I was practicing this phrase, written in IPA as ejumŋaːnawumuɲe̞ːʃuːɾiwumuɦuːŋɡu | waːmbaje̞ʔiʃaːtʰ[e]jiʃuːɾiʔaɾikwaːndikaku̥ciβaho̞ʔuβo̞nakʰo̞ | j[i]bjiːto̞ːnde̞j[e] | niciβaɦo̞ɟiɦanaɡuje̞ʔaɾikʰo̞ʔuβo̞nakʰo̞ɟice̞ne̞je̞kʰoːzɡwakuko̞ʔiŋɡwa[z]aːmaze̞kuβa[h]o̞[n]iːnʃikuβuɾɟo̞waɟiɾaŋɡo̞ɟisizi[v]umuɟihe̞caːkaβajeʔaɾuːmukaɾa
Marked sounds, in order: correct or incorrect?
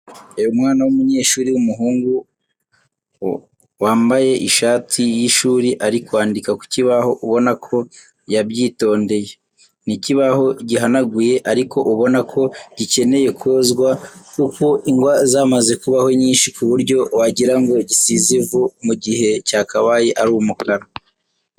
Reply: incorrect: i, incorrect: a, correct, correct, correct, incorrect: ɲ, correct

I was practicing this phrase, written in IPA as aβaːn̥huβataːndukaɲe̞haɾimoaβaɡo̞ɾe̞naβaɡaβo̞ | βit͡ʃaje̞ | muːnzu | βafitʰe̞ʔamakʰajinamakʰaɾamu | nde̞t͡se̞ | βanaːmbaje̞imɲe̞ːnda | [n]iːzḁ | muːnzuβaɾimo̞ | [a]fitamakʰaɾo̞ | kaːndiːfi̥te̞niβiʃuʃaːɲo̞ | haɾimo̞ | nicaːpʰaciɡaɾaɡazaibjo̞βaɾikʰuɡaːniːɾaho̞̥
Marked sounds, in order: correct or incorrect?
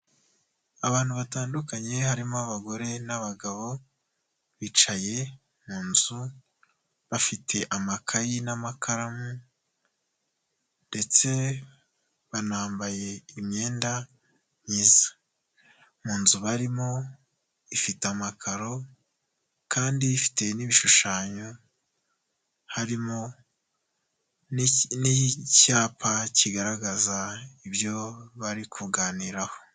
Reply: incorrect: ɲ, incorrect: i

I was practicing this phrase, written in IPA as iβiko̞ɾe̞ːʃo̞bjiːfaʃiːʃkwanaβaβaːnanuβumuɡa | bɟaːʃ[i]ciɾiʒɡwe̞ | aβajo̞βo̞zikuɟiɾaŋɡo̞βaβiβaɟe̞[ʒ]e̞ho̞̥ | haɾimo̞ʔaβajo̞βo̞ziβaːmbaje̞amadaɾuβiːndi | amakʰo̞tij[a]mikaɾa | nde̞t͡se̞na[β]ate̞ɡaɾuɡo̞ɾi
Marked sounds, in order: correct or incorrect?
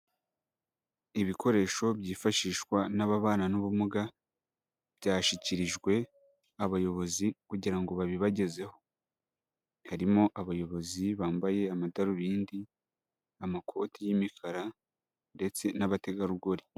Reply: correct, incorrect: z, incorrect: i, correct

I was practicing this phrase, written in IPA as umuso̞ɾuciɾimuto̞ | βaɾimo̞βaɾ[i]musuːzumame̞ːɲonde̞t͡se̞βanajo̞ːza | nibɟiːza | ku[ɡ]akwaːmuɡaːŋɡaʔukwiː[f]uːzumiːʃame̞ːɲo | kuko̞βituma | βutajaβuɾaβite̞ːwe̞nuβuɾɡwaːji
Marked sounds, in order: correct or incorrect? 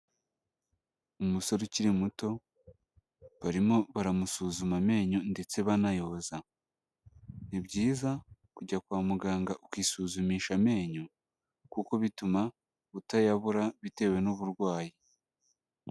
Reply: incorrect: a, incorrect: ɟ, incorrect: s

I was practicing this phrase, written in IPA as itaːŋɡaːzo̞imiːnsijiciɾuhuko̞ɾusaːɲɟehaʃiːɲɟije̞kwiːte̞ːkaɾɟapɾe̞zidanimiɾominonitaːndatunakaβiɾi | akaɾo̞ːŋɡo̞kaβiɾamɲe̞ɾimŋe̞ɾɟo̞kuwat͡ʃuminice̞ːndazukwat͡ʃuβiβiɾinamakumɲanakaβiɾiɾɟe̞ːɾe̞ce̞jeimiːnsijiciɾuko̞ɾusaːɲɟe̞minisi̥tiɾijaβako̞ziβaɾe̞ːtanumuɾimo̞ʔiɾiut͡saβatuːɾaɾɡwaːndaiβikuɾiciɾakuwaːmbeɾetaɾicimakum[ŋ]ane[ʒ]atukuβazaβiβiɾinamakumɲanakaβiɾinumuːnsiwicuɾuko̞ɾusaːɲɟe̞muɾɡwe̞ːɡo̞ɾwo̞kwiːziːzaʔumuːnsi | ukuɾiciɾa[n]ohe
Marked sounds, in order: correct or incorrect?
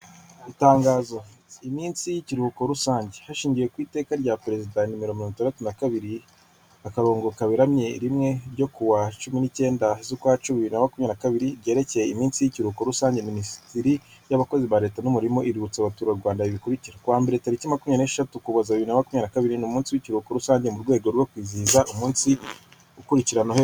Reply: incorrect: ɲ, incorrect: ʃ, correct

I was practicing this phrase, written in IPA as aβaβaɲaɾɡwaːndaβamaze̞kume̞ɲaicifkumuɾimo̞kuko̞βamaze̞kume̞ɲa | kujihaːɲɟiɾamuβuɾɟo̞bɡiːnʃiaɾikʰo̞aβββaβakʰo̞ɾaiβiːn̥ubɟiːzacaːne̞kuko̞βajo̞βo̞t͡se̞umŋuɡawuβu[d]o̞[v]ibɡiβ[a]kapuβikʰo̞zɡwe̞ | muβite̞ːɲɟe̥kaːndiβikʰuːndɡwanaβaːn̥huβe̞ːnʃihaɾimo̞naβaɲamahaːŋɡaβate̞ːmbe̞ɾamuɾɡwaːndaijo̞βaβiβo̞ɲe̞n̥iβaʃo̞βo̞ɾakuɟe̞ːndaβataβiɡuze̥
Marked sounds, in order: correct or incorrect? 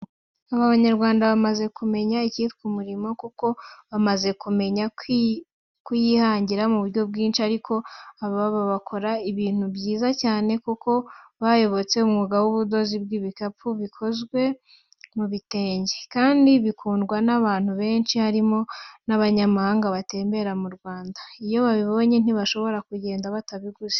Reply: correct, incorrect: z, incorrect: i

